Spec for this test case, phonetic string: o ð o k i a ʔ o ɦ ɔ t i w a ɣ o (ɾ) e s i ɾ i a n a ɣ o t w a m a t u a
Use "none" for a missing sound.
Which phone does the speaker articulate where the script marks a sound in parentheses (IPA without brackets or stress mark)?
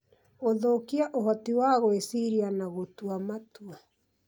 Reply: none